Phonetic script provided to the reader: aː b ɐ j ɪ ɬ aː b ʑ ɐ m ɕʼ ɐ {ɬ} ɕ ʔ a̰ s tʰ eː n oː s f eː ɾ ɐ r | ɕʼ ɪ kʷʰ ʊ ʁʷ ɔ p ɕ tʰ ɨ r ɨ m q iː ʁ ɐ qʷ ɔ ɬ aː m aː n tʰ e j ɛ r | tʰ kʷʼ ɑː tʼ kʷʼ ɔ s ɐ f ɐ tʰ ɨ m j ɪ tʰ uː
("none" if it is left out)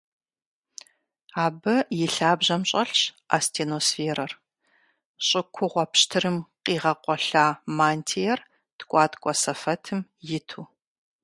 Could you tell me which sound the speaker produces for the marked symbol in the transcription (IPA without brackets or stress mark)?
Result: ɬ